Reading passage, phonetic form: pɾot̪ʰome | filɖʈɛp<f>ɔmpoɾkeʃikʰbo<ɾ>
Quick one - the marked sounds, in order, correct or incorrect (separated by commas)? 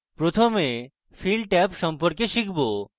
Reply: incorrect, incorrect